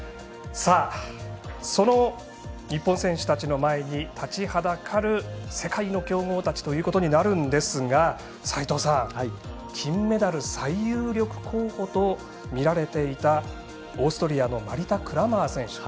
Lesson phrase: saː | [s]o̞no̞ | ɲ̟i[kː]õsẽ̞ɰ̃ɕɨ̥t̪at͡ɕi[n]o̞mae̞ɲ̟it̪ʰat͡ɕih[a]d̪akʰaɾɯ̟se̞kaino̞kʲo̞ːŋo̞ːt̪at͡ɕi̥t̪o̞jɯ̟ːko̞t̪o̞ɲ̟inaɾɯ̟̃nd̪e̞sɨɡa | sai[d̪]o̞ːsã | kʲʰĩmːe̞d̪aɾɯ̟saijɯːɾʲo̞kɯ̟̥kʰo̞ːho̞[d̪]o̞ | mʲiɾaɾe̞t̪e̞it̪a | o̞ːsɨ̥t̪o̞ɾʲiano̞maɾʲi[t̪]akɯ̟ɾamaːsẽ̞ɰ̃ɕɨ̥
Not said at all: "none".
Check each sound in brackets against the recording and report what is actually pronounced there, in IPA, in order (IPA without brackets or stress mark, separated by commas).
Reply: s, pː, n, a, t̪, t̪, t̪